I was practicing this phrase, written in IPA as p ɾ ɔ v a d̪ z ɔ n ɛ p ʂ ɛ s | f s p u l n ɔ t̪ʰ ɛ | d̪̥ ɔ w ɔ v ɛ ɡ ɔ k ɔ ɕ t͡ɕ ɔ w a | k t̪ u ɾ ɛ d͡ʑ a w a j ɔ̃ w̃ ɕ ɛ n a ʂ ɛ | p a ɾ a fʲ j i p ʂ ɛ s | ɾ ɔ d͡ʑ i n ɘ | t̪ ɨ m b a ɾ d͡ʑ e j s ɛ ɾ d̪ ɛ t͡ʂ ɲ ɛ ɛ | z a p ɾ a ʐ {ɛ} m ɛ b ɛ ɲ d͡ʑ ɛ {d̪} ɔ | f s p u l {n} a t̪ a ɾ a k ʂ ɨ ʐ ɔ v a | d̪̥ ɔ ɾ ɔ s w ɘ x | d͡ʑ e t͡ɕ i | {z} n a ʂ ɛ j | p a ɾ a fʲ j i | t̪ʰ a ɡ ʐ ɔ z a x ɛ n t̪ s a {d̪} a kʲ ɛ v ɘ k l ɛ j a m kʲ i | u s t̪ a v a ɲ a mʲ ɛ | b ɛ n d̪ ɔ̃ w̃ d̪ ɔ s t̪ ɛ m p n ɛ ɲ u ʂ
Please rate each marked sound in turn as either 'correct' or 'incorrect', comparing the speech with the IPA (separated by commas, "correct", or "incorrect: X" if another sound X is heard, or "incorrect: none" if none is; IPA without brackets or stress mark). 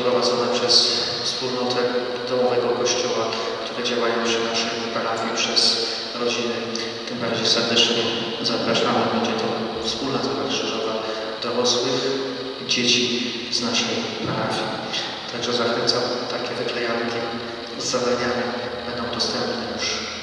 incorrect: a, incorrect: t̪, correct, correct, incorrect: t̪